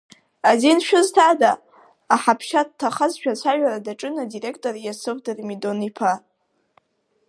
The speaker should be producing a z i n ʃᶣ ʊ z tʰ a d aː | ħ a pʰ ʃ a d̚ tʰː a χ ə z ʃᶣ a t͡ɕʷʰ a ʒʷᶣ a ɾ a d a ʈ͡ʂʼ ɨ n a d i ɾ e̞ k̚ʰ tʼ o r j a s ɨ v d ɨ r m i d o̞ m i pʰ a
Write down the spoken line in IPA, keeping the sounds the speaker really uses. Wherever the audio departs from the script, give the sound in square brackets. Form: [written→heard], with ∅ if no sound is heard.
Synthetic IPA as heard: a z i n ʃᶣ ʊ z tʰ a d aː | ħ a pʰ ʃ a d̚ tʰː a χ [ə→a] z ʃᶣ a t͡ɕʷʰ a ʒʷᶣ a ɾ a d a ʈ͡ʂʼ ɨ n a d i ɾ e̞ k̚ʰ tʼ o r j a s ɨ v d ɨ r m i d o̞ [m→n] i pʰ a